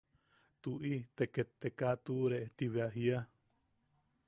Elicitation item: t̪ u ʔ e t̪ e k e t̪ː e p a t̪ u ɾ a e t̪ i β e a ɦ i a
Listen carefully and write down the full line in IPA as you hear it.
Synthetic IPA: t̪ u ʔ i t̪ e k e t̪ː e k a t̪ u ɾ e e t̪ i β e a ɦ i a